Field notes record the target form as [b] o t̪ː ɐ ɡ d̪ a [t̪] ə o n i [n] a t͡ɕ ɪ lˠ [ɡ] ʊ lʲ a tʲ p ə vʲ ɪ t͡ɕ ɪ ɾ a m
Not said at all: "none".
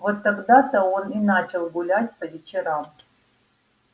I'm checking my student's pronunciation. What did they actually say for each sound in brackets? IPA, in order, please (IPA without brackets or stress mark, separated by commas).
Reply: v, t̪, n, ɡ